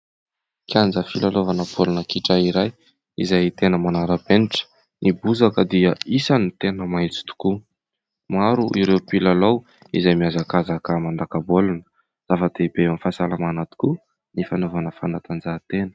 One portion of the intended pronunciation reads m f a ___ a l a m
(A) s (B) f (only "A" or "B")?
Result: A